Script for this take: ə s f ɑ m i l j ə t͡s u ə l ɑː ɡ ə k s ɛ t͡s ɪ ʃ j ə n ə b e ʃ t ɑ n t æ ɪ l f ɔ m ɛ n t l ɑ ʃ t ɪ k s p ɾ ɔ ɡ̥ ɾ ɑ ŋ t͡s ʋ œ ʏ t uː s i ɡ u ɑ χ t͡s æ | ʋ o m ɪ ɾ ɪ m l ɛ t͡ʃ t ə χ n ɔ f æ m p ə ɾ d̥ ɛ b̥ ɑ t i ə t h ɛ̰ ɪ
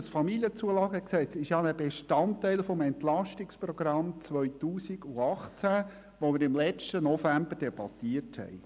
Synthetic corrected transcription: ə s f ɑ m i l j ə t͡s u ə l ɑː ɡ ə k s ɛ t͡s ɪ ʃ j ɑ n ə b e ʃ t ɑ n t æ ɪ l f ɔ m ɛ n t l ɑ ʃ t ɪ k s p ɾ ɔ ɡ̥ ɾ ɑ m t͡s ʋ œ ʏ t uː s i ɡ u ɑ χ t͡s æ | ʋ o m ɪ ɾ ɪ m l ɛ t͡ʃ t ə n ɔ f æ m b ə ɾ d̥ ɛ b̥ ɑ t i ə t h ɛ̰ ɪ

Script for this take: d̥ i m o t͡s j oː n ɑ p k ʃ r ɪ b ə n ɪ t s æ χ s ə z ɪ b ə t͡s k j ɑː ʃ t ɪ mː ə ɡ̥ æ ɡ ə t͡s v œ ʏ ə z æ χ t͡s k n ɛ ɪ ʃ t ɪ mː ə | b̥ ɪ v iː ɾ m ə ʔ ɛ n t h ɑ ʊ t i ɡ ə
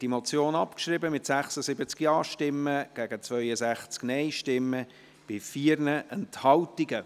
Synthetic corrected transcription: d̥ i m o t͡s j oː n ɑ p k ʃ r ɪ b ə m ɪ t s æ χ s ə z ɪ b ə t͡s k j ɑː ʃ t ɪ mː ə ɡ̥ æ ɡ ə t͡s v œ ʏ ə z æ χ t͡s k n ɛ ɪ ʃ t ɪ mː ə | b̥ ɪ f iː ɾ n ə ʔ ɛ n t h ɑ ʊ t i ɡ ə

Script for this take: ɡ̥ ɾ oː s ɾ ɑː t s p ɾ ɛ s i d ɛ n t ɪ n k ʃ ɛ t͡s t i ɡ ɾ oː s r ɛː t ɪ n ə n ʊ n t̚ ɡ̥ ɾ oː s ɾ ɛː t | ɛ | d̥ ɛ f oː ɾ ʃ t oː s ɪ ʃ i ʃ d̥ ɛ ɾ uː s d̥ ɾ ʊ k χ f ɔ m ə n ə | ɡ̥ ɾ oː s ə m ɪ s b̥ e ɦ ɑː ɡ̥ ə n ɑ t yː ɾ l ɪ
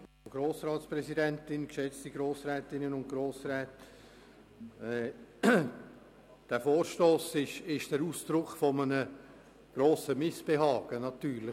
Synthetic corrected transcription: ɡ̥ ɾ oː s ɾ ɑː t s p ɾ ɛ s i d ɛ n t ɪ n k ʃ ɛ t͡s t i ɡ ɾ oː s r ɛː t ɪ n ə n ʊ n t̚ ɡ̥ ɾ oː s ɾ ɛː t | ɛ | d̥ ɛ f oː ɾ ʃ t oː s ɪ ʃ ɪ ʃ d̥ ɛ ɾ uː s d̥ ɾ ʊ k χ f ɔ m ə n ə | ɡ̥ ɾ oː s ə m ɪ s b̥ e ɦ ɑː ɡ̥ ə n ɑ t yː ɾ l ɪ

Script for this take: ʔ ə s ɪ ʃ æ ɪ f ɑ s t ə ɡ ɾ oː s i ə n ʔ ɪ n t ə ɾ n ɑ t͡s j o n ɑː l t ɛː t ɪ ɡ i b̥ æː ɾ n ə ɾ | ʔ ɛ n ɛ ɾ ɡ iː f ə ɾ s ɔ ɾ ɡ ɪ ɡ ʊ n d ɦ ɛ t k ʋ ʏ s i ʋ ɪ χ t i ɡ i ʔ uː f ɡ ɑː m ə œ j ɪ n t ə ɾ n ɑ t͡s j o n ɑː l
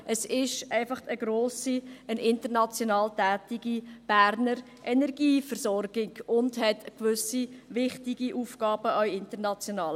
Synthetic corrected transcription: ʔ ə s ɪ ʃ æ ɪ f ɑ χ t ə ɡ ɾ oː s i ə n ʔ ɪ n t ə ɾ n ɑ t͡s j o n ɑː l t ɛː t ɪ ɡ i b̥ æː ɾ n ə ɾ | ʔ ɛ n ɛ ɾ ɡ iː f ə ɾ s ɔ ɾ ɡ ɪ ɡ ʊ n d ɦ ɛ t k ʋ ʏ s i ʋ ɪ χ t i ɡ i ʔ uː f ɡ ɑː b ə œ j ɪ n t ə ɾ n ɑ t͡s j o n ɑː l

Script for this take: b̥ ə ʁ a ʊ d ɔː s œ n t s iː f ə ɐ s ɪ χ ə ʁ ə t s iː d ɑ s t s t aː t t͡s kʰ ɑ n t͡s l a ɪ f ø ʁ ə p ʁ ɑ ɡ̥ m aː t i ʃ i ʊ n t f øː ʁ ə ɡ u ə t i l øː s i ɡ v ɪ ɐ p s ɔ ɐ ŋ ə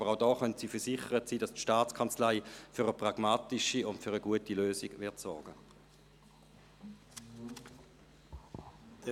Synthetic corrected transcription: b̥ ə ʁ a ʊ d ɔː χ œ n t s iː f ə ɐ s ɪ χ ə ʁ ə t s iː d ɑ s t ʃ t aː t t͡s kʰ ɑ n t͡s l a ɪ f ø ʁ ə p ʁ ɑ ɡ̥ m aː t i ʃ i ʊ n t f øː ʁ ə ɡ u ə t i l øː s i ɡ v ɪ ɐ t s ɔ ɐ ɡ ə

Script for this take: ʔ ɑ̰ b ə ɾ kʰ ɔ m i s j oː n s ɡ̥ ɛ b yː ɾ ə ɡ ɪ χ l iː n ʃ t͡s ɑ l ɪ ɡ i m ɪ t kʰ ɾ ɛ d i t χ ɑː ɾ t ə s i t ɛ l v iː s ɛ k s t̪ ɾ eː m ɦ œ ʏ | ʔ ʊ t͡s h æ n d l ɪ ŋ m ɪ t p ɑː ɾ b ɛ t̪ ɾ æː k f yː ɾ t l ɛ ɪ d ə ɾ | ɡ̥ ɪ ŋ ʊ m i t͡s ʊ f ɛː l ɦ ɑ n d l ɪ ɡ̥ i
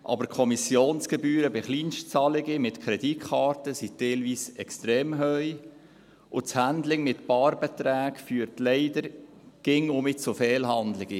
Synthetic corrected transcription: ʔ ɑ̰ b ə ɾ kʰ ɔ m i s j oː n s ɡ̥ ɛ b yː ɾ ə b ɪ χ l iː n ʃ t͡s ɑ l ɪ ɡ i m ɪ t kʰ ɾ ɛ d i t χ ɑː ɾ t ə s i t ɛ l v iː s ɛ k s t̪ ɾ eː m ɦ œ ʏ | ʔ ʊ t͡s h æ n d l ɪ ŋ m ɪ t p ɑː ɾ b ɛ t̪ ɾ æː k f yː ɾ t l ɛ ɪ d ə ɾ | ɡ̥ ɪ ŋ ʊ m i t͡s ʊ f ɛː l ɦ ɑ n d l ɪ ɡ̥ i

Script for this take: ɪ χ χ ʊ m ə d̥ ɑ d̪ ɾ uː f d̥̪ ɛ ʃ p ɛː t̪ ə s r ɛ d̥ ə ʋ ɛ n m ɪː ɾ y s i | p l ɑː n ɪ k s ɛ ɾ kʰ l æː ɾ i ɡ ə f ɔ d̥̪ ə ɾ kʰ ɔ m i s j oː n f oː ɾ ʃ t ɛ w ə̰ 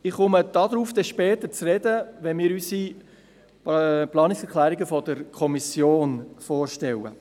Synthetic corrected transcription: ɪ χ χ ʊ m ə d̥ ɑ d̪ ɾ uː f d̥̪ ɛ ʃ p ɛː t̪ ə t͡s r ɛ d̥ ə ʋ ɛ n m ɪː ɾ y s i | p l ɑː n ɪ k s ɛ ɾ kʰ l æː ɾ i ɡ ə f ɔ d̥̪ ə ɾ kʰ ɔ m i s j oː n f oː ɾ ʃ t ɛ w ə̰

